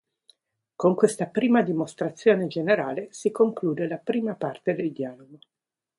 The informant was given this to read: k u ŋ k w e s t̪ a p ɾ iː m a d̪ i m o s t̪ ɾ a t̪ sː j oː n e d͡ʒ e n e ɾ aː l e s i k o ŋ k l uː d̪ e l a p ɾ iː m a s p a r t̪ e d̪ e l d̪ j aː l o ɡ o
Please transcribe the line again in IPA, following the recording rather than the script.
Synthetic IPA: k o ŋ k w e s t̪ a p ɾ iː m a d̪ i m o s t̪ ɾ a t̪ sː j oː n e d͡ʒ e n e ɾ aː l e s i k o ŋ k l uː d̪ e l a p ɾ iː m a p a r t̪ e d̪ e l d̪ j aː l o ɡ o